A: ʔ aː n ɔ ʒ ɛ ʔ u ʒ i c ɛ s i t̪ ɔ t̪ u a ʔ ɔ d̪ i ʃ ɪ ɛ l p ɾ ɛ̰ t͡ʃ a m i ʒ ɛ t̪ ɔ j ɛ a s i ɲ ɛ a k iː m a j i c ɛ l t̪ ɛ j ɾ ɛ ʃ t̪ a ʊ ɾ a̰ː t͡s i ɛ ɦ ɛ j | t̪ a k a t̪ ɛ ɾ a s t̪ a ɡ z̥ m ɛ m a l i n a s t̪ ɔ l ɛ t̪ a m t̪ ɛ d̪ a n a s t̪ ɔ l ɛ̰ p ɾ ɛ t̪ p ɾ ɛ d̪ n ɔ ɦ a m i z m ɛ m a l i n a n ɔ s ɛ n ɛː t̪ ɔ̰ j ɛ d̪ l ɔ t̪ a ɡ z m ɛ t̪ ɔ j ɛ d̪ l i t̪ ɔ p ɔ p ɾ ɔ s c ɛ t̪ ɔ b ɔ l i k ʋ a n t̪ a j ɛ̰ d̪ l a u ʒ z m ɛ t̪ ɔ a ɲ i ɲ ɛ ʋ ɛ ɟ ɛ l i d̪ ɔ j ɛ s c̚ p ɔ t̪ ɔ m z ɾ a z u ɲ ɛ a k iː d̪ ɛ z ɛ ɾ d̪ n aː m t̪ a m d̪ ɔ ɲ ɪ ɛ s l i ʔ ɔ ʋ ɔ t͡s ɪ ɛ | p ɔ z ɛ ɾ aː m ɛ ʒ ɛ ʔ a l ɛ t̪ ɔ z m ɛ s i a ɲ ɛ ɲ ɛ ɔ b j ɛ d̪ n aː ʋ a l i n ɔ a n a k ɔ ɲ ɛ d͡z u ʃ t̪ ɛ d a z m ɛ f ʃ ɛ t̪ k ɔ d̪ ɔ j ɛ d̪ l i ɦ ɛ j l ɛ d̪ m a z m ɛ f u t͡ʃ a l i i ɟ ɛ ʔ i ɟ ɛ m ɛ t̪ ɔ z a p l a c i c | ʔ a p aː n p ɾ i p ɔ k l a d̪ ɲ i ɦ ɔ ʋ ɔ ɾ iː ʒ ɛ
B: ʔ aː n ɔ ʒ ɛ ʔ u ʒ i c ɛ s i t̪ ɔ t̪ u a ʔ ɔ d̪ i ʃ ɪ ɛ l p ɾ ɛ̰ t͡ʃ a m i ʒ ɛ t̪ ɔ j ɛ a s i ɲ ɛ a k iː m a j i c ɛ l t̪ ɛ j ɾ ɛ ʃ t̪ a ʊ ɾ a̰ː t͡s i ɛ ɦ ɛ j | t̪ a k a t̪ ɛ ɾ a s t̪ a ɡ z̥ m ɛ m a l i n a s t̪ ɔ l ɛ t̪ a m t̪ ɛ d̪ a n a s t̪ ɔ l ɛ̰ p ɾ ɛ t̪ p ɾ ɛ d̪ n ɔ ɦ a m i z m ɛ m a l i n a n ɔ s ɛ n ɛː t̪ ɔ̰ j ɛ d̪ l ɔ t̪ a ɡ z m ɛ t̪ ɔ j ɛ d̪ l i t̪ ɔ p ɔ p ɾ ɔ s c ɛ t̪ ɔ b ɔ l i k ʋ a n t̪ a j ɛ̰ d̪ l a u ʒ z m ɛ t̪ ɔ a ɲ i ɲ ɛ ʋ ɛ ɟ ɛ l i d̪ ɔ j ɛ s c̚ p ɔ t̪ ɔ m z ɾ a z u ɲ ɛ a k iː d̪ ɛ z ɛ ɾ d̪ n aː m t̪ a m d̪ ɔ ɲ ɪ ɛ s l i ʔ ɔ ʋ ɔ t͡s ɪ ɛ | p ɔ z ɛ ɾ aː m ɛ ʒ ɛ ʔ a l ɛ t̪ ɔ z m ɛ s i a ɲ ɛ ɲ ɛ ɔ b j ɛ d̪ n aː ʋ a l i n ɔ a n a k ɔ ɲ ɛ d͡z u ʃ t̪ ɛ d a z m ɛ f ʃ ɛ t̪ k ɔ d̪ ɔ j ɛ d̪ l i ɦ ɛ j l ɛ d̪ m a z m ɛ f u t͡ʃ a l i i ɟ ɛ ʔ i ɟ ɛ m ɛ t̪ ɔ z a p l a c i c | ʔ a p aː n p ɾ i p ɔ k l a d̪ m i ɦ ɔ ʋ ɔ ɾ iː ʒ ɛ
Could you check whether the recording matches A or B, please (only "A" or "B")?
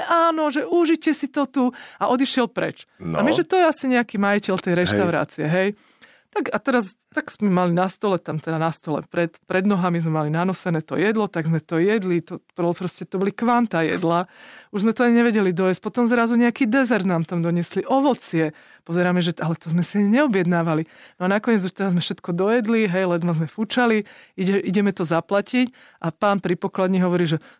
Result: A